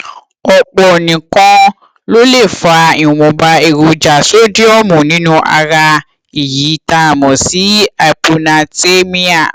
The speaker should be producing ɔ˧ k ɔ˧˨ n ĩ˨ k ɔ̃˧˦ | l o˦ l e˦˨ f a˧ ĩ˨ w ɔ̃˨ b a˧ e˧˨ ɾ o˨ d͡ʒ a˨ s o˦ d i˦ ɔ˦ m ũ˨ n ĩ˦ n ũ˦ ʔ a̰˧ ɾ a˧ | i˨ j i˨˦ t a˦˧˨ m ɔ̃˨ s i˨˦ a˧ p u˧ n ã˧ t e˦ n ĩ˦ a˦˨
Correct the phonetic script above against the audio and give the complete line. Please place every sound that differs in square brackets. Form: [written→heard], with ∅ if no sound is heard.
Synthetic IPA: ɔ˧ [k→k͡p] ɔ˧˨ n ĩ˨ k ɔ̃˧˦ | l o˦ l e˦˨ f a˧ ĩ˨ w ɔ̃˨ b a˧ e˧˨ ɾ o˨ d͡ʒ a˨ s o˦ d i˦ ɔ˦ m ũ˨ n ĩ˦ n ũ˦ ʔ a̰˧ ɾ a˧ | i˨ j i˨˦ t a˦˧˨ m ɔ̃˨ s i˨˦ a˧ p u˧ n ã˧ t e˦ [n→m] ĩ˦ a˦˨